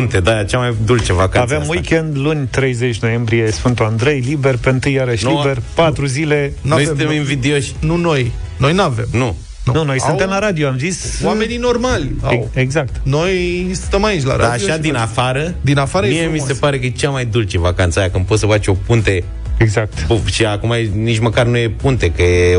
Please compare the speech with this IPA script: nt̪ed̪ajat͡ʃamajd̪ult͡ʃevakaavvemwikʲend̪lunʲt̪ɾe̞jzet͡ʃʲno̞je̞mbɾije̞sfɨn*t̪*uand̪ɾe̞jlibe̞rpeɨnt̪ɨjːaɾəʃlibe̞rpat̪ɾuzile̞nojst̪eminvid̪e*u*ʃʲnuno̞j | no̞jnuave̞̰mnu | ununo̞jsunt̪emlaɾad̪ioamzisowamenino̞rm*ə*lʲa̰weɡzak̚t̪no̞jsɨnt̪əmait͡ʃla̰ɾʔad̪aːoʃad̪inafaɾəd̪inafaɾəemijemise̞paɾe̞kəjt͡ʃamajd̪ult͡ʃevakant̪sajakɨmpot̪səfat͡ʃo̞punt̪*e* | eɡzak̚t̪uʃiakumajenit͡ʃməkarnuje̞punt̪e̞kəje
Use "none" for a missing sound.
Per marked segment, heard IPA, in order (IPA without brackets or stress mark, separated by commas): t̪, o, a, e